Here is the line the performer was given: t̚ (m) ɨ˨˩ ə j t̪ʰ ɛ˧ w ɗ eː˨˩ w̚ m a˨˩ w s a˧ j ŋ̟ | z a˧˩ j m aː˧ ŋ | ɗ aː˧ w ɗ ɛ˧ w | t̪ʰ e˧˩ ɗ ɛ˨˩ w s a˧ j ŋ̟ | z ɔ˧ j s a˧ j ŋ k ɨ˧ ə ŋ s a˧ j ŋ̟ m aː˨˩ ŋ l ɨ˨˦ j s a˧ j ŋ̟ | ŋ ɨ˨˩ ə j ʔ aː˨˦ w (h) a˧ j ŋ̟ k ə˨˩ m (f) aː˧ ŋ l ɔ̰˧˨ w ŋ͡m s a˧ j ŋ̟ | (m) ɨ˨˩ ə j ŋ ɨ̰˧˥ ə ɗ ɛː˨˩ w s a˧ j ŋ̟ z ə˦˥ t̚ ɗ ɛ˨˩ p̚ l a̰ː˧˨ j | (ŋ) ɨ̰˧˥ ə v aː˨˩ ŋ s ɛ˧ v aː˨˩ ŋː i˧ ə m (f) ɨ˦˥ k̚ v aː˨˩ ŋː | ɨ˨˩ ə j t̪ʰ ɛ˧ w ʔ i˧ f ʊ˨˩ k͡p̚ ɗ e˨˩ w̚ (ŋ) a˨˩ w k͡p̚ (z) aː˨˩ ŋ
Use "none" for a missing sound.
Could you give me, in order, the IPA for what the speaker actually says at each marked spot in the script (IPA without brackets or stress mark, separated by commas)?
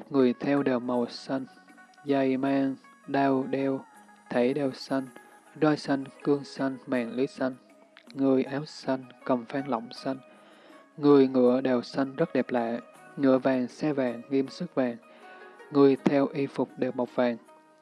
ŋ, s, f, ŋ, ŋ, s, m, v